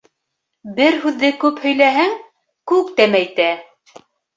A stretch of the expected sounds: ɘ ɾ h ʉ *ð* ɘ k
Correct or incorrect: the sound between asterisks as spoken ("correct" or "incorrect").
incorrect